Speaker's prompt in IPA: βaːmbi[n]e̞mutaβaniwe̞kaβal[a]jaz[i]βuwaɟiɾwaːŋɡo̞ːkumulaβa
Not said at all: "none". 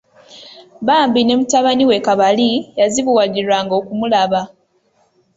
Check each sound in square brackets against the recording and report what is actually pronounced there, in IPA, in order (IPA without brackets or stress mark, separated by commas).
n, i, i